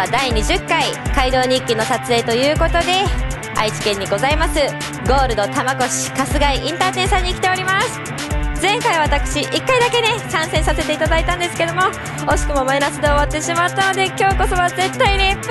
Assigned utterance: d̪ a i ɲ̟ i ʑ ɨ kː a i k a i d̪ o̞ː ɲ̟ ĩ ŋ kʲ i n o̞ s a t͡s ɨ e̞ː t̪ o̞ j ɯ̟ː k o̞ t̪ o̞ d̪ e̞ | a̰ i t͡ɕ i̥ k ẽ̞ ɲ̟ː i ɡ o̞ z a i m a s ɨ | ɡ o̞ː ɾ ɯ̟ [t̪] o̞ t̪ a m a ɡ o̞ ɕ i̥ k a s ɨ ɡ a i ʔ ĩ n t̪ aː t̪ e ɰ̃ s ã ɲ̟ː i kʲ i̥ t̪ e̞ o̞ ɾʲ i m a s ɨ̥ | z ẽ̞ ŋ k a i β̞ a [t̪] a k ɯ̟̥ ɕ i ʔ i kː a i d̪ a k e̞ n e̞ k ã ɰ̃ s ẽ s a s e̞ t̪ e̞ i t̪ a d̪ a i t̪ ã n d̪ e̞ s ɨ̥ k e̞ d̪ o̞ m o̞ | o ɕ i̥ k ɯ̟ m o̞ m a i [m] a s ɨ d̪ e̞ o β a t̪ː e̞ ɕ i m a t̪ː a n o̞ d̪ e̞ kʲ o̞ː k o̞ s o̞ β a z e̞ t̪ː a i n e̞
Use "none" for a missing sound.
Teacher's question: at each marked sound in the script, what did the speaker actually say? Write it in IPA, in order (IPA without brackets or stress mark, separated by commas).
d̪, t̪, n